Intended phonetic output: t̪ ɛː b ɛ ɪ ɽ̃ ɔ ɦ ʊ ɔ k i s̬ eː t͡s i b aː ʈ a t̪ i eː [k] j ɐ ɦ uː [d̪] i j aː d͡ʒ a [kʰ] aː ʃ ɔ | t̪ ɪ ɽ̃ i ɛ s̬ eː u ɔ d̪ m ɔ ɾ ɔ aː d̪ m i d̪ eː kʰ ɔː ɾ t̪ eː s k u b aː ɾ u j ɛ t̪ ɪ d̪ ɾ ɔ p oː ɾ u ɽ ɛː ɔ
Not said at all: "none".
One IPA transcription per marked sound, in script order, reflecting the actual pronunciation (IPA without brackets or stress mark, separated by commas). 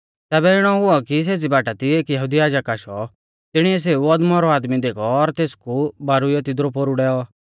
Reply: k, d̪, k